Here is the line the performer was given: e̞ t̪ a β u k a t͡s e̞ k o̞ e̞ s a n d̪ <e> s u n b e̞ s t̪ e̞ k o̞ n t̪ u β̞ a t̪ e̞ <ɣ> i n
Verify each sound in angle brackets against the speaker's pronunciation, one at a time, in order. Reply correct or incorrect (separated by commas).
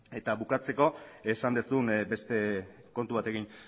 correct, correct